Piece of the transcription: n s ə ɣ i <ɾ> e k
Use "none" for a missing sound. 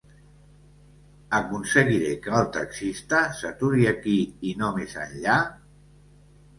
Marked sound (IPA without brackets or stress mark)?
ɾ